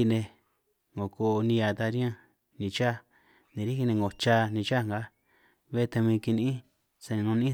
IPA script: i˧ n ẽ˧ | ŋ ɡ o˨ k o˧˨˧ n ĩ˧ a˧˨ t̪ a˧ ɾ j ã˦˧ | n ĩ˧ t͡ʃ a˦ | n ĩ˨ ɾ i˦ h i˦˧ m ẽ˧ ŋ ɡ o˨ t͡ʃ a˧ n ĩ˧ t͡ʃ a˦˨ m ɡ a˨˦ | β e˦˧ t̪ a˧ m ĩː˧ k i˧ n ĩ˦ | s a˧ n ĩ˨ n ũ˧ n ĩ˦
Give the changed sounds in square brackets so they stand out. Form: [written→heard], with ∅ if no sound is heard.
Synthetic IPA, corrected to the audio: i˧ n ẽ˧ | ŋ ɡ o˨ k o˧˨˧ n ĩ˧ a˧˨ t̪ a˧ ɾ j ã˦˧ | n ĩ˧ t͡ʃ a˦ | n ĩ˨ ɾ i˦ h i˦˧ [m→n] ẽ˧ ŋ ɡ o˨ t͡ʃ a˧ n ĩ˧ t͡ʃ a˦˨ [m→ŋ] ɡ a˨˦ | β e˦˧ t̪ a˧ m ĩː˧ k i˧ n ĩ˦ | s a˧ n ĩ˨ n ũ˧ n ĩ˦